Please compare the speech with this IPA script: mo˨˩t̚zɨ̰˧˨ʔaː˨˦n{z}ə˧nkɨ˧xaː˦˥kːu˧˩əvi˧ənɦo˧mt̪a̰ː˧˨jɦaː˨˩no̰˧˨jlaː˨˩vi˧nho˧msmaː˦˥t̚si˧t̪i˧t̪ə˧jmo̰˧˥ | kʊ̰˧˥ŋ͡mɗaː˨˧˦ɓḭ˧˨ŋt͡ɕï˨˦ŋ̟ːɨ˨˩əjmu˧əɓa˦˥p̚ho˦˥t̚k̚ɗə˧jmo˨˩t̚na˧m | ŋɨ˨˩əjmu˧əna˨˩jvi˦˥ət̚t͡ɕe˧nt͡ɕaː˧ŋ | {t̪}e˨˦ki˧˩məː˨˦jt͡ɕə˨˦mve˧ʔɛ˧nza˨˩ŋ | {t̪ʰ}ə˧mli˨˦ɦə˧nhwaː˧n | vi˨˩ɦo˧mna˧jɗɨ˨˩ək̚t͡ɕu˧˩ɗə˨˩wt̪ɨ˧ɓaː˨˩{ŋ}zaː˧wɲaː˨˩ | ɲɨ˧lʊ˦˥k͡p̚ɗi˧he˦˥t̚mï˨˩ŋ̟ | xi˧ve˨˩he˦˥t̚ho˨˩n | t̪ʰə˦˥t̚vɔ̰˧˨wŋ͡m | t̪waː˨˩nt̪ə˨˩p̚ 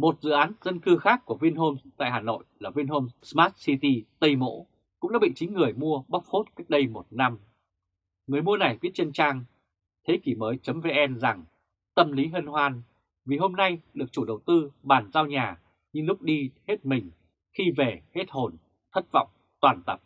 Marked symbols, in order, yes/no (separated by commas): yes, no, no, no